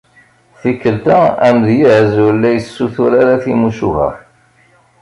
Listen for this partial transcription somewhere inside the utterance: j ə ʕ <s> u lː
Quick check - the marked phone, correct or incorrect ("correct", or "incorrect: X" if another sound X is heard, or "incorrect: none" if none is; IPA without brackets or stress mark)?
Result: incorrect: z